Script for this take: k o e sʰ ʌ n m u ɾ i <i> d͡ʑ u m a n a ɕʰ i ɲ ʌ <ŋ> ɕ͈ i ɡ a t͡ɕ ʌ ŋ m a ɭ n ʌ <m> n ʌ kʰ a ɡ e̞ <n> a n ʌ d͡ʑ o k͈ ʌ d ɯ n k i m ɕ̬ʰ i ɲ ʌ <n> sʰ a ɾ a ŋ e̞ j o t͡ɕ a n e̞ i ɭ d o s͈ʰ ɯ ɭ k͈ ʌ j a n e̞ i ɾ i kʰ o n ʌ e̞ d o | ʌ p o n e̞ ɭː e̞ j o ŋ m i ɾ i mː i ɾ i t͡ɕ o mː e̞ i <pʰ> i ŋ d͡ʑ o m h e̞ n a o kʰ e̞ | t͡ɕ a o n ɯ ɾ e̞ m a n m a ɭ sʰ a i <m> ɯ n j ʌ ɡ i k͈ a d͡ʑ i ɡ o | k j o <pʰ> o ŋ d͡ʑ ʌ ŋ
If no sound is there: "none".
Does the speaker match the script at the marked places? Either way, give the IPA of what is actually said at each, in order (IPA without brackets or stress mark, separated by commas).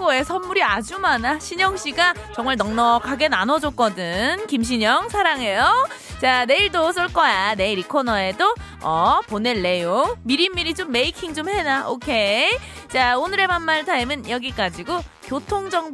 a, ŋ, ŋ, n, ŋ, kʰ, m, tʰ